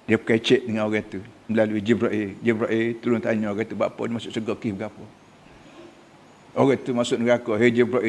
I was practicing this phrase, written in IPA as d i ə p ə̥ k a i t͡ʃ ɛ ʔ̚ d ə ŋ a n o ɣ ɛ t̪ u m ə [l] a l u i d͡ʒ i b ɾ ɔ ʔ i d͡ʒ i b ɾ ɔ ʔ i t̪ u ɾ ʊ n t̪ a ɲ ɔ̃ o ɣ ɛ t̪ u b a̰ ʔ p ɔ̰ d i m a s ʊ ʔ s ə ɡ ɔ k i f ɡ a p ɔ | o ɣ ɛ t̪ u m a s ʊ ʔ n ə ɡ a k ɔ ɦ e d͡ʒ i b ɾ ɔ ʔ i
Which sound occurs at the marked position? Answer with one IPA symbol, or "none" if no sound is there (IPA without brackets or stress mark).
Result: l